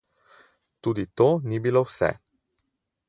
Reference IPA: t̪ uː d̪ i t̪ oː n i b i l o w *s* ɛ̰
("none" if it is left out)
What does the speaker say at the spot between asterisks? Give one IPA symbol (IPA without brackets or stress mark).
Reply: s